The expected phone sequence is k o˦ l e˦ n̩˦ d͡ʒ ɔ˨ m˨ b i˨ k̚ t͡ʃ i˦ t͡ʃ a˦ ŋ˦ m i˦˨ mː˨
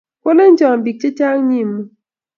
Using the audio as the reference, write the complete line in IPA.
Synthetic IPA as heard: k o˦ l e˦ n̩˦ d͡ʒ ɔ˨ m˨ b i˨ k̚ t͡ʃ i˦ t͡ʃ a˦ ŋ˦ ɲ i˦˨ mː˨